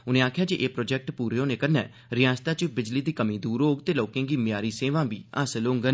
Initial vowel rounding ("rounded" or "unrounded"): rounded